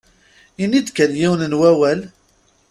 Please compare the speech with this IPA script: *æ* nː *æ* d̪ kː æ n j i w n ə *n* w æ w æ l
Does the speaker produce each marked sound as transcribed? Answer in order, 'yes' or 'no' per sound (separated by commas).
no, no, yes